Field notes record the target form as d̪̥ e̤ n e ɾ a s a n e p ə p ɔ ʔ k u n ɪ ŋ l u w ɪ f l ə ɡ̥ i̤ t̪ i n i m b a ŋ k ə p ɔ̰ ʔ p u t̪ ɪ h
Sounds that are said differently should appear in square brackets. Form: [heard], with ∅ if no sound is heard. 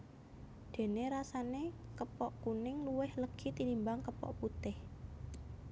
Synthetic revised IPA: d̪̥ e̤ n e ɾ a s a n e [k] ə p ɔ ʔ k u n ɪ ŋ l u w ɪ [h] l ə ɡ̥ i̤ t̪ i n i m b a ŋ k ə p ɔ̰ ʔ p u t̪ ɪ h